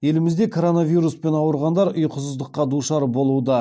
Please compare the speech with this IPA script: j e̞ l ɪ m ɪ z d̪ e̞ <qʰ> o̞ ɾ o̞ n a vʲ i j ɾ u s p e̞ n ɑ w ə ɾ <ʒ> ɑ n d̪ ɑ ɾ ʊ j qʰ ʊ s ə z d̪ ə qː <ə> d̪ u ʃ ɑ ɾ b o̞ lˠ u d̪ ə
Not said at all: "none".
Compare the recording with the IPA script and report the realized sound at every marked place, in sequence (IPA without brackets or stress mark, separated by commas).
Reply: kʰ, ʁ, ɑ